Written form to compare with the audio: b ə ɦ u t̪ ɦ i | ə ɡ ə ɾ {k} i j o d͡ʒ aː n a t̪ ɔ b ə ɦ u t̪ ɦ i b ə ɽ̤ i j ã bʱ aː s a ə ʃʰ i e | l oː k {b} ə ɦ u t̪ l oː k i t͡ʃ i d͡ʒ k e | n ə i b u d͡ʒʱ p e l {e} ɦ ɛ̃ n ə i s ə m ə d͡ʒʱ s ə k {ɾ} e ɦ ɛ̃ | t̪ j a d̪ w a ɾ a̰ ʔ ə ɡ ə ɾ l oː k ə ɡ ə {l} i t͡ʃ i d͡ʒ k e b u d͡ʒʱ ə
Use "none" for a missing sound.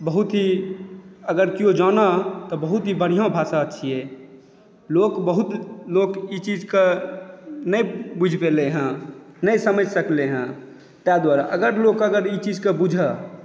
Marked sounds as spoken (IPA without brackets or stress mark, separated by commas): k, b, e, l, ɾ